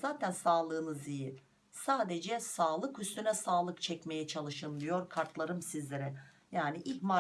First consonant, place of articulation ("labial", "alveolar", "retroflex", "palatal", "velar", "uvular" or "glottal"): alveolar